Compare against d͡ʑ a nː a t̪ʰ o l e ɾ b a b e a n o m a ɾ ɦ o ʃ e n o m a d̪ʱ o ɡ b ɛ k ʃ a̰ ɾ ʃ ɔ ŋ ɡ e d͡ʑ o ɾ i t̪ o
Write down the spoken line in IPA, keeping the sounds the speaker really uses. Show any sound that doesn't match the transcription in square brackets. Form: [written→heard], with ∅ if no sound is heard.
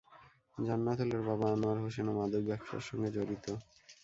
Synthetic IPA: d͡ʑ a nː a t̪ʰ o l e ɾ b a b [e→a] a n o [m→∅] a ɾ ɦ o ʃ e n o m a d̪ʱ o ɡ b ɛ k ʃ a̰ ɾ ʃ ɔ ŋ ɡ e d͡ʑ o ɾ i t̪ o